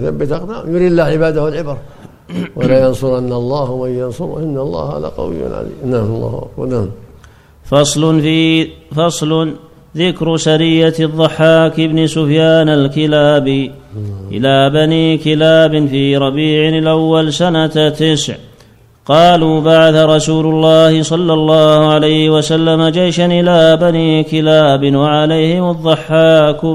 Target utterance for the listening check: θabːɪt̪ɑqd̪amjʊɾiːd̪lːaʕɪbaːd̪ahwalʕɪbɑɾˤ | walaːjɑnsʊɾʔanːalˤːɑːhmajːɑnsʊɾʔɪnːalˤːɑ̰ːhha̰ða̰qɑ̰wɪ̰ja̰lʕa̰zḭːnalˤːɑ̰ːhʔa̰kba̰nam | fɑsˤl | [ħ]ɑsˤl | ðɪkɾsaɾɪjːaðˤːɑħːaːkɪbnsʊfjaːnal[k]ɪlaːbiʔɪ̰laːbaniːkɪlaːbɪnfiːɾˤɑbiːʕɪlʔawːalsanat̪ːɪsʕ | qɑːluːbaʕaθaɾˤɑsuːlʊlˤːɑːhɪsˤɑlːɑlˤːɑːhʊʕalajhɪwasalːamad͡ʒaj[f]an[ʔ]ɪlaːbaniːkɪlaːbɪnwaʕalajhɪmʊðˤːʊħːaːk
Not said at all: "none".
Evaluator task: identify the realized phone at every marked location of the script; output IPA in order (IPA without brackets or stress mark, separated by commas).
f, k, ʃ, ʔ